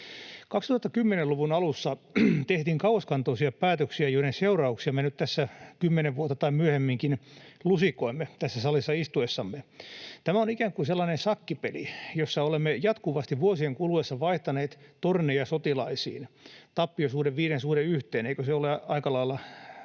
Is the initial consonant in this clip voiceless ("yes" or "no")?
yes